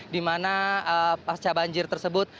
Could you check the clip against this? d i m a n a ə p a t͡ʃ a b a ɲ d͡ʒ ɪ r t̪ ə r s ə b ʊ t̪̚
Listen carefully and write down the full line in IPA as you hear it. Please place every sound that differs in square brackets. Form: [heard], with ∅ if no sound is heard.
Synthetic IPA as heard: d i m a n a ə p a t͡ʃ a b a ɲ d͡ʒ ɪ r t̪ ə r s ə b ʊ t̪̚